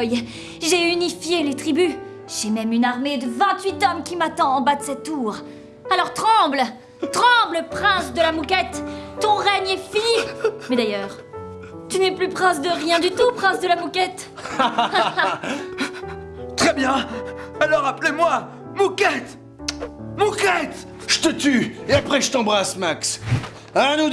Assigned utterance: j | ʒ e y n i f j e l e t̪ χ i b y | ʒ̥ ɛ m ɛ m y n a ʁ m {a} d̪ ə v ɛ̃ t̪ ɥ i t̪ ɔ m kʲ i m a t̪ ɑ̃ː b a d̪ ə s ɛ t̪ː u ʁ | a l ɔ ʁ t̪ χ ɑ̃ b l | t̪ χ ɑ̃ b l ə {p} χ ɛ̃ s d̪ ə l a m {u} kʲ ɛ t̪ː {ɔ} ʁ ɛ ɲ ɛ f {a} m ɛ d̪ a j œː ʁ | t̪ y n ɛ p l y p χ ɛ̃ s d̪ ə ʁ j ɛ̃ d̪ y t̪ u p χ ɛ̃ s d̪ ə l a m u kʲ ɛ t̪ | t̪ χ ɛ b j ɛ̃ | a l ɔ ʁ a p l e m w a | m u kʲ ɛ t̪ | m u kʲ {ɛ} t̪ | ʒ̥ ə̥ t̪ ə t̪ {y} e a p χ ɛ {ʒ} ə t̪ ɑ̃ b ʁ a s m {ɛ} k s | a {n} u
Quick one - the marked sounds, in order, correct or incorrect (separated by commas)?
incorrect, correct, correct, incorrect, incorrect, correct, correct, correct, incorrect, correct